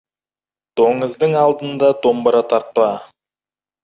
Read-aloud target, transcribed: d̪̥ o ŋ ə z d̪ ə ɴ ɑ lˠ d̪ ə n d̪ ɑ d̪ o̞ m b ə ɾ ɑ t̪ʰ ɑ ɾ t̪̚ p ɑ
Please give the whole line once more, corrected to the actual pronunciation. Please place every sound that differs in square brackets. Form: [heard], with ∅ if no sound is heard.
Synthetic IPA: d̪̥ o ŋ ə z d̪ ə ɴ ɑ lˠ d̪ ə n d̪ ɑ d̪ o̞ m b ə ɾ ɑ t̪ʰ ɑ ɾ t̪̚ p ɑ

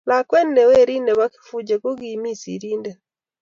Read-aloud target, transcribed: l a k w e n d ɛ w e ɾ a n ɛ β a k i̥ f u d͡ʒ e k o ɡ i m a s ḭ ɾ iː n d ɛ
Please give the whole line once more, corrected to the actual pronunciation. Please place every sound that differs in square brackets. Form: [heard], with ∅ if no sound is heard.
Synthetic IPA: l a k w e n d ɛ w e ɾ [i] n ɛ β a k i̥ f u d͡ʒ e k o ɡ i m [i] s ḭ ɾ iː n d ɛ

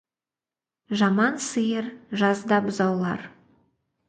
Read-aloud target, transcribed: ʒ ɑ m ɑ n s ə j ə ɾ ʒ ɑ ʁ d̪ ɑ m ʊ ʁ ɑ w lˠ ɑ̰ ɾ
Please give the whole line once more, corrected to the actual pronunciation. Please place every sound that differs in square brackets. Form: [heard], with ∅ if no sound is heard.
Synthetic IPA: ʒ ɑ m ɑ n s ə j ə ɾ ʒ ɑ [z] d̪ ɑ [b] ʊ [z] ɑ w lˠ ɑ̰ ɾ

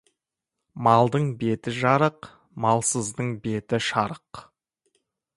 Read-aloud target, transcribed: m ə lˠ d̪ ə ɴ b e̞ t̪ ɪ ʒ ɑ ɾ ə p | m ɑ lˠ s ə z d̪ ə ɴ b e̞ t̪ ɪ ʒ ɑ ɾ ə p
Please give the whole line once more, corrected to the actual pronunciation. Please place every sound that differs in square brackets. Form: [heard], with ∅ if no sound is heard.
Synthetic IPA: m [ɑ] lˠ d̪ ə ɴ b e̞ t̪ ɪ ʒ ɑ ɾ ə [q] | m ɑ lˠ s ə z d̪ ə ɴ b e̞ t̪ ɪ [ʃ] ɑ ɾ ə [q]

